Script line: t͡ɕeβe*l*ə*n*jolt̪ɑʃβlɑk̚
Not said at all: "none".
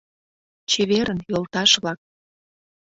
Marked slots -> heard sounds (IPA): ɾ, n

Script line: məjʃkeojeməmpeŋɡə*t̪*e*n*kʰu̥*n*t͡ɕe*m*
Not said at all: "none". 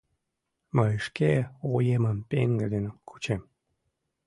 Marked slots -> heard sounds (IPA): d̪, n, none, m

